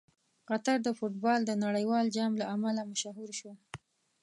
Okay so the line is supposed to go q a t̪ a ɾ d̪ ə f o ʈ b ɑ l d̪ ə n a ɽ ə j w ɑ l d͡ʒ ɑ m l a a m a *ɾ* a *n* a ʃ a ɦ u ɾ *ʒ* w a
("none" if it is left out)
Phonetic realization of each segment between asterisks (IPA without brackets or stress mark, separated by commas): l, m, ʃ